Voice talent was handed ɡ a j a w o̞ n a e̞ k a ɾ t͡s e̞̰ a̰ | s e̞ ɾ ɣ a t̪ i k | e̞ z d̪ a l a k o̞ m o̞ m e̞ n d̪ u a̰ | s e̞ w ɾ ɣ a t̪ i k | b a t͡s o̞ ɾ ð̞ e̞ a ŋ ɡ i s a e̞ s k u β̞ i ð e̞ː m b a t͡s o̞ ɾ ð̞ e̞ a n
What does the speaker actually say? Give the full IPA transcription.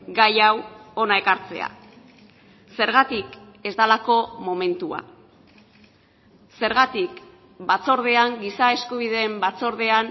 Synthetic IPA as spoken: ɡ a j a w o̞ n a e̞ k a ɾ t͡s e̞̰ a̰ | s e̞ ɾ ɣ a t̪ i k | e̞ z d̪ a l a k o̞ m o̞ m e̞ n t̪ u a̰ | s e̞ ɾ ɣ a t̪ i k | b a t͡s o̞ ɾ ð̞ e̞ a ŋ ɡ i s a e̞ s k u β̞ i ð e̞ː m b a t͡s o̞ ɾ ð̞ e̞ a n